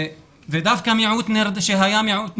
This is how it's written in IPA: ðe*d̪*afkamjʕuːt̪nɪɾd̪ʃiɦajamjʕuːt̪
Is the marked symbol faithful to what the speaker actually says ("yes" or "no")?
yes